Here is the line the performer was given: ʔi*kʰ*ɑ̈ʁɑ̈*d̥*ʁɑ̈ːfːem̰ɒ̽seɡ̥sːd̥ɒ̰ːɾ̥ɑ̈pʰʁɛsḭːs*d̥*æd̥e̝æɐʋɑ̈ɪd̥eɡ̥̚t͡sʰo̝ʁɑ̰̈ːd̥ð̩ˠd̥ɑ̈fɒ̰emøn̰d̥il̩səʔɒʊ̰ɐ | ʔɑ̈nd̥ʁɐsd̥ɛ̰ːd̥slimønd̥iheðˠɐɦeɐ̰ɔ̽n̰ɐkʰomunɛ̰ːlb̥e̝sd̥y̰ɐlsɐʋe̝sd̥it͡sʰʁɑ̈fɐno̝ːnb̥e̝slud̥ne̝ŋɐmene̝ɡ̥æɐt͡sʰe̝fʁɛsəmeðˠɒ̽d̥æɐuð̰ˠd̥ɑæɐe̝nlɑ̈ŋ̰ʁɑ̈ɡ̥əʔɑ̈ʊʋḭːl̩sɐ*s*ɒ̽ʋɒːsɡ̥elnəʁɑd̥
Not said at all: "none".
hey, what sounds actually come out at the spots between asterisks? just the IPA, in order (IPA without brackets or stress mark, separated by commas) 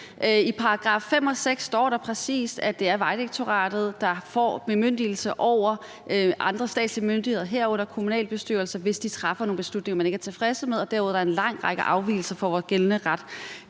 pʰ, ɡ̥, d̥, f